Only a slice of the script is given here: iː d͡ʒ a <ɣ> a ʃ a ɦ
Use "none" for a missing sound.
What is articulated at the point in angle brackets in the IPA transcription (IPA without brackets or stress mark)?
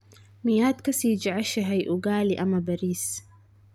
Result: ʕ